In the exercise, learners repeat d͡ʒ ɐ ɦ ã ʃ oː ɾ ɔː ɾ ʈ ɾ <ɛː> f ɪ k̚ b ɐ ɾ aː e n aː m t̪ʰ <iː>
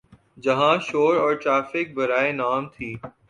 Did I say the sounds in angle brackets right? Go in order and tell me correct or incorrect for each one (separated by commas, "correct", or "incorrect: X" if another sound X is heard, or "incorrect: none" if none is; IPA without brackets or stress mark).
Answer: incorrect: aː, correct